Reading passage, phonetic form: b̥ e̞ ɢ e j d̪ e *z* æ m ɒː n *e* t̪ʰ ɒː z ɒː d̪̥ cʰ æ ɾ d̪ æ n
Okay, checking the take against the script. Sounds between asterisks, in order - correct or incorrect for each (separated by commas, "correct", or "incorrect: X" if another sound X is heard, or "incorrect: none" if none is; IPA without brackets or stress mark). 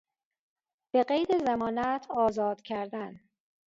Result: correct, incorrect: æ